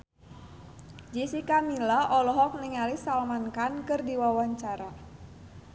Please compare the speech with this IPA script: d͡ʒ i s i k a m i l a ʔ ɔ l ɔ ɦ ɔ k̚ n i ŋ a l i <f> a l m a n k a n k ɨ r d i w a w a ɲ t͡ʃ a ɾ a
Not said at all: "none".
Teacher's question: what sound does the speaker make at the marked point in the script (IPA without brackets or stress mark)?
s